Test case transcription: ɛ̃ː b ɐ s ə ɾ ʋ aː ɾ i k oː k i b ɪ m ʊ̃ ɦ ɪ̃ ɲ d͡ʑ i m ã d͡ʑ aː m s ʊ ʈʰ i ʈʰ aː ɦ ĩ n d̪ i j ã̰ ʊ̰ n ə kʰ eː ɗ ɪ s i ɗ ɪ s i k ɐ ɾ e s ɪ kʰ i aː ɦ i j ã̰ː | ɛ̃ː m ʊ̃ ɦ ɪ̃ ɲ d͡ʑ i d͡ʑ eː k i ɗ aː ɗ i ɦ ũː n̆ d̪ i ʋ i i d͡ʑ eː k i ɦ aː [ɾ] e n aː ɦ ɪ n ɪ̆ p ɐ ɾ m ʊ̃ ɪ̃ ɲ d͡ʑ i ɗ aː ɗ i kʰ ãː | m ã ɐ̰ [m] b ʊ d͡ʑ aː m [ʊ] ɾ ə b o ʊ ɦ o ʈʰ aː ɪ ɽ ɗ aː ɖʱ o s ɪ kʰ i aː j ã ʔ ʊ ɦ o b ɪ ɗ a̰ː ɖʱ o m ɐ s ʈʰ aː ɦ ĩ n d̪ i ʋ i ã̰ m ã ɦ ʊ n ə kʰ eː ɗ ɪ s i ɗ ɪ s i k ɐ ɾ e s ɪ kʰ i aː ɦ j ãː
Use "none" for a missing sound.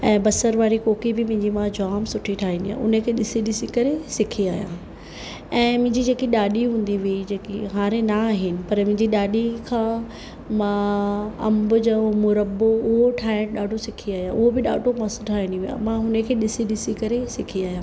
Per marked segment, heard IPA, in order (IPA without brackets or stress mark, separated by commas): ɾ, m, ʊ